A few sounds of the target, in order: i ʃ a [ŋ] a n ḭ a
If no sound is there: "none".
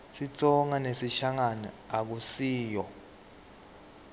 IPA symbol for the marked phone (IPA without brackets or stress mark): ŋ